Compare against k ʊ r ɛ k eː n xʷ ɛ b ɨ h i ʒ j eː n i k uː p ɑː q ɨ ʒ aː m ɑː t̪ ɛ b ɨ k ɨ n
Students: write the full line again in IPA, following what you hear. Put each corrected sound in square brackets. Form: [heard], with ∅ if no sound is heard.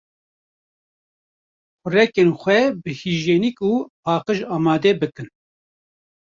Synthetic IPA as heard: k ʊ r ɛ k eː n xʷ ɛ b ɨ h i ʒ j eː n i k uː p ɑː q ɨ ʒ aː m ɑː [d̪] ɛ b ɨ k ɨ n